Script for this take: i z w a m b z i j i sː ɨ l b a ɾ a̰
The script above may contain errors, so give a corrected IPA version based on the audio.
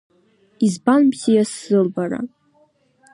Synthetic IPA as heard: i z b a n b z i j a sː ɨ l b a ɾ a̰